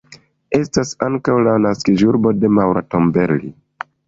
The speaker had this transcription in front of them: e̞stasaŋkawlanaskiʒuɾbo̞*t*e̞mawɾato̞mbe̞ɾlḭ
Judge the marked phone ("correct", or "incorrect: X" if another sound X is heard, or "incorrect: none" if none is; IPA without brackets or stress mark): incorrect: d